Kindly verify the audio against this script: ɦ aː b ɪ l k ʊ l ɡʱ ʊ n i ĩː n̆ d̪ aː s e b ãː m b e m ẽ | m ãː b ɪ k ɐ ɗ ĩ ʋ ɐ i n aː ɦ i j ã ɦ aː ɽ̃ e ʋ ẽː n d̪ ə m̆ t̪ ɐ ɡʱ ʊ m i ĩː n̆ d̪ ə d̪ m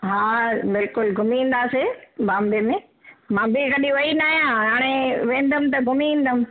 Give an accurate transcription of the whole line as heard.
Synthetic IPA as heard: ɦ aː b ɪ l k ʊ l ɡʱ ʊ m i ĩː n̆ d̪ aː s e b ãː m b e m ẽ | m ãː b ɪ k ɐ ɗ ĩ ʋ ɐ i n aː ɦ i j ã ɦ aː ɽ̃ e ʋ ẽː n d̪ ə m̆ t̪ ɐ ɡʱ ʊ m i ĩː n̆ d̪ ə m